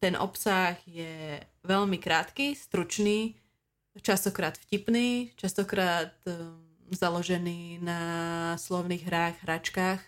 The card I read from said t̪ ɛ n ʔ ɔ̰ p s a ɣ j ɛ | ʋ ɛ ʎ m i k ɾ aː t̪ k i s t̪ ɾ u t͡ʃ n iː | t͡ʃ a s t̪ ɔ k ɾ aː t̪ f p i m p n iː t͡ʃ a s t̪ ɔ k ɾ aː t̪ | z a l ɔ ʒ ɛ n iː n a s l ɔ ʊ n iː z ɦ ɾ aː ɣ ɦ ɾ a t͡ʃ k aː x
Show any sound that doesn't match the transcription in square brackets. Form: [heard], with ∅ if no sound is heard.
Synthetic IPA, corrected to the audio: t̪ ɛ n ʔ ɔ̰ p s a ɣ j ɛ | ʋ ɛ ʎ m i k ɾ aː t̪ k i s t̪ ɾ u t͡ʃ n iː | t͡ʃ a s t̪ ɔ k ɾ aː t̪ f [c] i [∅] p n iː t͡ʃ a s t̪ ɔ k ɾ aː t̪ | z a l ɔ ʒ ɛ n iː n a s l ɔ ʊ n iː [ɣ] ɦ ɾ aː ɣ ɦ ɾ a t͡ʃ k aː x